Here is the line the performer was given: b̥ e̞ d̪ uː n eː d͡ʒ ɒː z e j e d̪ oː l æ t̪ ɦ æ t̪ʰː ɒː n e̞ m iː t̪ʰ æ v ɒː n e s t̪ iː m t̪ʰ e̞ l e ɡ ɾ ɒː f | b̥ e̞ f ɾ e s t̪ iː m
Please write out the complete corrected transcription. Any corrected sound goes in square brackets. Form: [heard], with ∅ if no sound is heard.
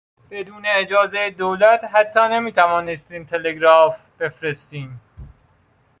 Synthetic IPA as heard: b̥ e̞ d̪ uː n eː d͡ʒ ɒː z e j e d̪ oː l æ t̪ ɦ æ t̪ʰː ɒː n e̞ m iː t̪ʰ æ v ɒː n e s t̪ iː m t̪ʰ e̞ l e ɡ ɾ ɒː f | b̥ e̞ f ɾ e s t̪ iː m